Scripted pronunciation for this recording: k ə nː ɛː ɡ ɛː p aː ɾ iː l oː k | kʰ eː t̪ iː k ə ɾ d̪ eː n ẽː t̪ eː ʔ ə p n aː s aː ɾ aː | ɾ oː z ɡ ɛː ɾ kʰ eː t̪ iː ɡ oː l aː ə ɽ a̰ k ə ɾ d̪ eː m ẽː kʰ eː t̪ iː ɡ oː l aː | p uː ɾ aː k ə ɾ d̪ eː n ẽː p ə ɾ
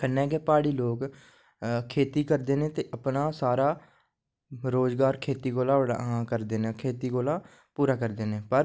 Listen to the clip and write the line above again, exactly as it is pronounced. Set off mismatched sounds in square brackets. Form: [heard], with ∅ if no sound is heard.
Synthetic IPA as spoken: k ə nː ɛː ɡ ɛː p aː [ɽ] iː l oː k | kʰ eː t̪ iː k ə ɾ d̪ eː n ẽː t̪ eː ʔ ə p n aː s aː ɾ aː | ɾ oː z ɡ [aː] ɾ kʰ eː t̪ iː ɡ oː l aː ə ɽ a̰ k ə ɾ d̪ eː [n] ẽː kʰ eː t̪ iː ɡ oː l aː | p uː ɾ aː k ə ɾ d̪ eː n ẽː p ə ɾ